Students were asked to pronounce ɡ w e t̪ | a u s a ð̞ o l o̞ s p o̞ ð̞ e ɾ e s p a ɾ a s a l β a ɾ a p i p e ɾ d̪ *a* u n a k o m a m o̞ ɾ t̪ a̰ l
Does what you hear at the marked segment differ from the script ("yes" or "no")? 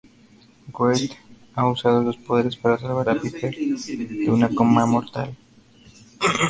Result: yes